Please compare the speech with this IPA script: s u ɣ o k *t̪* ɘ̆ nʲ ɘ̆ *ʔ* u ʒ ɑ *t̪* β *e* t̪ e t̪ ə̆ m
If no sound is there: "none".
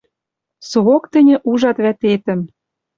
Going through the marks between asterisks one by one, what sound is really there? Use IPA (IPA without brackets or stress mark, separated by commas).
t̪, ʔ, t̪, æ